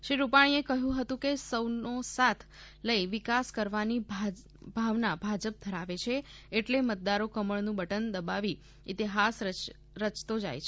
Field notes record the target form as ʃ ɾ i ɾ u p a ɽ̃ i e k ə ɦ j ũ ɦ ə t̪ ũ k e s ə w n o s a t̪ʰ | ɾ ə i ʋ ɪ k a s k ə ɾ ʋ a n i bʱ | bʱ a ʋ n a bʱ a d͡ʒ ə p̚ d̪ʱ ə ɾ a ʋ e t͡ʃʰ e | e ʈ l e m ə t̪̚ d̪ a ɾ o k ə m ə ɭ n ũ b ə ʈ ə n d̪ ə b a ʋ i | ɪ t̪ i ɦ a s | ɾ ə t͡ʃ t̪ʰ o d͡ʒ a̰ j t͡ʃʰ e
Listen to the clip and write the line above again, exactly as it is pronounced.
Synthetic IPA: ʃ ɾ i ɾ u p a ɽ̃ i e k ə ɦ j ũ ɦ ə t̪ ũ k e s ə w n o s a t̪ʰ | l ə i ʋ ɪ k a s k ə ɾ ʋ a n i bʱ | bʱ a ʋ n a bʱ a d͡ʒ ə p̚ d̪ʱ ə ɾ a ʋ e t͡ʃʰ e | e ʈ l e m ə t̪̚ d̪ a ɾ o k ə m ə ɭ n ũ b ə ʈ ə n d̪ ə b a ʋ i | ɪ t̪ i ɦ a s | ɾ ə t͡ʃ t̪ o d͡ʒ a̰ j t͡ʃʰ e